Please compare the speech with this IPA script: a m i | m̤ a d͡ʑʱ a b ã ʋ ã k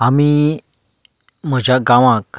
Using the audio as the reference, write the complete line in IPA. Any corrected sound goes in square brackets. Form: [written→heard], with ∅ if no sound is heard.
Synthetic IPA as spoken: a m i | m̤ [a→ə] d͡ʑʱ a [b→ɡ] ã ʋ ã k